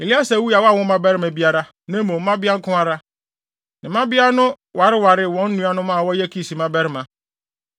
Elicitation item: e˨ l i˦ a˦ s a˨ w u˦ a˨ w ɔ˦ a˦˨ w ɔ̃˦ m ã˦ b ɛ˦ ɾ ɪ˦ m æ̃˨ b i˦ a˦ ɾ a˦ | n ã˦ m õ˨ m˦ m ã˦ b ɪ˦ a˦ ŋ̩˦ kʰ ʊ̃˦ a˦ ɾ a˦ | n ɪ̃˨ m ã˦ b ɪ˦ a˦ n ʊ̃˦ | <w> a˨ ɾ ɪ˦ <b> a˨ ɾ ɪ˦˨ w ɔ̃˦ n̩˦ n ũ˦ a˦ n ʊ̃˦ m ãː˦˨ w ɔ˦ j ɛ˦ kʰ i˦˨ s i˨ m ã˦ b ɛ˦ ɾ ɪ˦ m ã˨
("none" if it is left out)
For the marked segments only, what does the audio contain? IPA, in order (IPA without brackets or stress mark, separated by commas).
w, w